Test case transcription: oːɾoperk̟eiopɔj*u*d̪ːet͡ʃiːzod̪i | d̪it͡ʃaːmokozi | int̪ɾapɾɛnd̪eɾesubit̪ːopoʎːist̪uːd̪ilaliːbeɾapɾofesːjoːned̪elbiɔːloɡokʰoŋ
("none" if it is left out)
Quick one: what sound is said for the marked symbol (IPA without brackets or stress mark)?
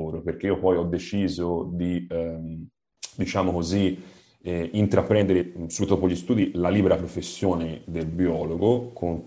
ɔ